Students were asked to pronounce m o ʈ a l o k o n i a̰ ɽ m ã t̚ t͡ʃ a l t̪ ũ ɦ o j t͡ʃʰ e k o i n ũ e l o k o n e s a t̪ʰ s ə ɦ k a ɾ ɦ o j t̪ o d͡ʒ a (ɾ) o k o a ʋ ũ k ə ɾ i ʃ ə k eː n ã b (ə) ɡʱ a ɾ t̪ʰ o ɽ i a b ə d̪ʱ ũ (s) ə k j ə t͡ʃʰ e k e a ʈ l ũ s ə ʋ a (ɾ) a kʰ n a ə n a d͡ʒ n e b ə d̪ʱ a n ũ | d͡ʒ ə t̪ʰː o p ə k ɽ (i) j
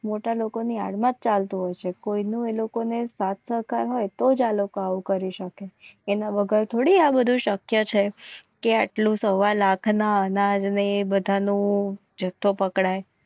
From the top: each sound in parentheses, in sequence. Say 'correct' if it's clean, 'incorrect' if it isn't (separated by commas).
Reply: incorrect, correct, incorrect, incorrect, incorrect